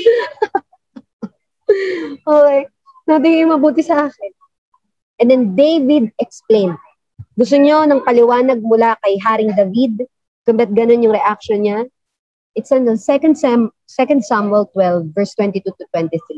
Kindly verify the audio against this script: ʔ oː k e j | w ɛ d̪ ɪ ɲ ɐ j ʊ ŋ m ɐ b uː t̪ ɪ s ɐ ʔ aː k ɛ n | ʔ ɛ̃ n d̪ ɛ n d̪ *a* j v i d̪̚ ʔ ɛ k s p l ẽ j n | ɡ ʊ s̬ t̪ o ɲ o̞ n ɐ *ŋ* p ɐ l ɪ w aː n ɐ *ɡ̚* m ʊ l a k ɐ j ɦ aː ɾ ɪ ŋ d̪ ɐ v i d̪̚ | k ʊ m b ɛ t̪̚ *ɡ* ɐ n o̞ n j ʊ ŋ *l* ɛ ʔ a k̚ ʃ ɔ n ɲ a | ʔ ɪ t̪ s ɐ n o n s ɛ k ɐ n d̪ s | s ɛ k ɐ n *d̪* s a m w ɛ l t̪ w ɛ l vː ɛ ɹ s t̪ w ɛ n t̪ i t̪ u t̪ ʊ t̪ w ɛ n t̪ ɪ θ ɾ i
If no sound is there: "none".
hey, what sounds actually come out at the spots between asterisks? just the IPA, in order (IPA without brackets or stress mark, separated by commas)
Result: e, ŋ, ɡ̚, ɡ, ɾ, d̪